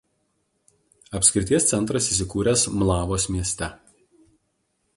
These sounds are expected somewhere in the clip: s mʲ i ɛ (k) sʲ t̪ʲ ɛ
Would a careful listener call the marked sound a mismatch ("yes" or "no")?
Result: yes